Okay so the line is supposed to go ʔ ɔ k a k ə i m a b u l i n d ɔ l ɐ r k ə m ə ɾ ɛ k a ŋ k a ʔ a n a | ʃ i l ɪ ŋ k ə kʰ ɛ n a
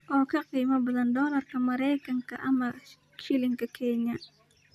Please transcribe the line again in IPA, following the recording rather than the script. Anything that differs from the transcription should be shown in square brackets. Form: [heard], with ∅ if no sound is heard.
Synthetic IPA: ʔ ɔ k a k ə i m a b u l [a] n d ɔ l [a] r k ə m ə ɾ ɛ k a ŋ k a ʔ a [m] a | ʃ i l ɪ ŋ k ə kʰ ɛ [ɲ] a